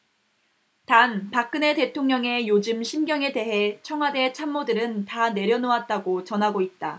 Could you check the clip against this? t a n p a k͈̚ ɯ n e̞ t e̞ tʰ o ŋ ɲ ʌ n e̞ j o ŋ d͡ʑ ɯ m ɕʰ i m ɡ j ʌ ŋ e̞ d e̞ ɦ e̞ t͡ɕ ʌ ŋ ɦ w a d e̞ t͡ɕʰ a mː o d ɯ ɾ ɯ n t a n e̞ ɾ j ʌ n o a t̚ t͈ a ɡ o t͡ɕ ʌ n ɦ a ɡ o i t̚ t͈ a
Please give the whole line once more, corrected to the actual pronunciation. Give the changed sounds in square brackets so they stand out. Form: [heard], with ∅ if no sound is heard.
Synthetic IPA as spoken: t a n p a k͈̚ ɯ n e̞ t e̞ tʰ o ŋ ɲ ʌ [ŋ] e̞ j o [∅] d͡ʑ ɯ m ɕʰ i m ɡ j ʌ ŋ e̞ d e̞ ɦ e̞ [t͡ɕʰ] ʌ ŋ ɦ w a d e̞ t͡ɕʰ a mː o d ɯ ɾ ɯ n t a n e̞ ɾ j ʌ n o a t̚ t͈ a ɡ o t͡ɕ ʌ n ɦ a ɡ o i t̚ t͈ a